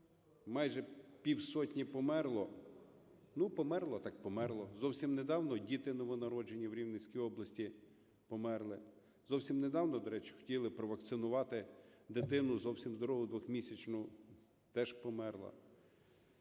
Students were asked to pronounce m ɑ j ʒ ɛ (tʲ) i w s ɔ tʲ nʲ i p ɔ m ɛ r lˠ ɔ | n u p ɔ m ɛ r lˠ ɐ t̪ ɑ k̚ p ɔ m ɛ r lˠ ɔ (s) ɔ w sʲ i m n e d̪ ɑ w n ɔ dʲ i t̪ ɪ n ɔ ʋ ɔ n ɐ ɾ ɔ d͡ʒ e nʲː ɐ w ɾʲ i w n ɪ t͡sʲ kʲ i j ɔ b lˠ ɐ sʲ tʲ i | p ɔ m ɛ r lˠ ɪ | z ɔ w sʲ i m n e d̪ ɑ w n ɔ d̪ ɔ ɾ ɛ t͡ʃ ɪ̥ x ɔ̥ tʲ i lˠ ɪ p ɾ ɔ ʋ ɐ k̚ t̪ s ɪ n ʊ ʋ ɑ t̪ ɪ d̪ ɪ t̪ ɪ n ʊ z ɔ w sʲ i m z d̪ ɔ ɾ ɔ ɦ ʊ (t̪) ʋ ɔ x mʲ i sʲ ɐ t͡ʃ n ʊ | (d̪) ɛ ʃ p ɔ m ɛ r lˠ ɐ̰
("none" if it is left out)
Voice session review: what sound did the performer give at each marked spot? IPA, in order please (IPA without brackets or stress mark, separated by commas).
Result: pʲ, z, d̪, t̪